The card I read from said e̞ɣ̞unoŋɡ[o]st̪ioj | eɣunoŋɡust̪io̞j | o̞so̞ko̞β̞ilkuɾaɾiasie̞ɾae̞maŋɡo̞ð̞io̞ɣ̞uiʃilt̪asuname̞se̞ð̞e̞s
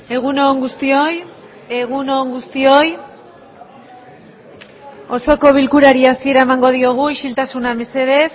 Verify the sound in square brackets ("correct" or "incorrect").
incorrect